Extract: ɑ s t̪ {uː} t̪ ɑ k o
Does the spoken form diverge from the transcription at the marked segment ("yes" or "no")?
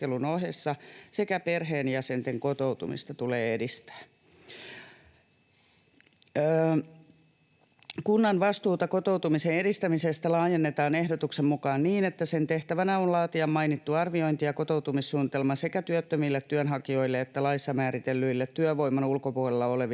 no